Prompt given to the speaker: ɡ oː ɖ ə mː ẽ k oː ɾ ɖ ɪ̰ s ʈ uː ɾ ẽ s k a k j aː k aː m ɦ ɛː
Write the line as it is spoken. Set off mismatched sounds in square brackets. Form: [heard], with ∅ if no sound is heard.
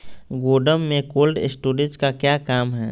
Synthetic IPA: ɡ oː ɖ ə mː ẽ k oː [l] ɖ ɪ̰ s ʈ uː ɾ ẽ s k a k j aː k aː m ɦ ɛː